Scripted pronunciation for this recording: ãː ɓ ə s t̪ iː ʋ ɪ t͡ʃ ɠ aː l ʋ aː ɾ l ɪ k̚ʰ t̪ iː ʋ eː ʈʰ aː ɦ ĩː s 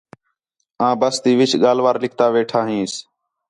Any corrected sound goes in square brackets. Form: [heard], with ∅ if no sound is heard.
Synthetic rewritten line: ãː [b] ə s t̪ iː ʋ ɪ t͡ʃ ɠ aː l ʋ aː ɾ l ɪ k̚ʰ t̪ [aː] ʋ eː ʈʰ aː ɦ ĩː s